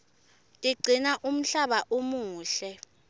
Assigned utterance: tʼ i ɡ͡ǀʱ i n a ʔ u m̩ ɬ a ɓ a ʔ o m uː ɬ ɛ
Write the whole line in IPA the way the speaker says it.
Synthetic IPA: tʼ i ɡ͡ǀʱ i n a ʔ u m̩ ɬ a ɓ a ʔ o m uː ɬ ɛ